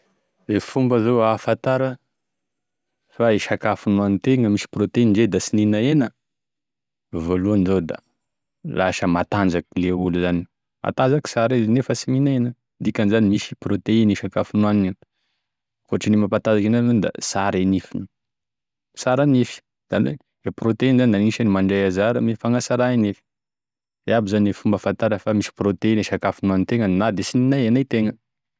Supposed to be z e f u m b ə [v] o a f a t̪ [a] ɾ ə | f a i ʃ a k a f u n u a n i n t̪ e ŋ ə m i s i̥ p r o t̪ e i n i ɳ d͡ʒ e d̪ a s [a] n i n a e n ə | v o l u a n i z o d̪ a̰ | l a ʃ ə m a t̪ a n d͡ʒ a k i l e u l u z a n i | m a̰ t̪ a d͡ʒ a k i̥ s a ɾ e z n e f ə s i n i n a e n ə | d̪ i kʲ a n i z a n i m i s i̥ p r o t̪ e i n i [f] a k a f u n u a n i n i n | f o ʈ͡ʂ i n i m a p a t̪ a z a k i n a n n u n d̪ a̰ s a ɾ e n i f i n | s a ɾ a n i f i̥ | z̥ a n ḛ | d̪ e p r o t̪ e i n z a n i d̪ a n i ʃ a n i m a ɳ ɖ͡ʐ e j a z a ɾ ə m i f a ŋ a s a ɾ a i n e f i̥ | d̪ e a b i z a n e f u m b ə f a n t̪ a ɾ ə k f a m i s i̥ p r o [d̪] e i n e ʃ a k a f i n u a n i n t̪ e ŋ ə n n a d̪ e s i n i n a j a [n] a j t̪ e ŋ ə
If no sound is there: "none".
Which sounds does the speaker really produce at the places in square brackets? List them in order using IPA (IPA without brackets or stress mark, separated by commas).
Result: z, a, i, ʃ, t̪, n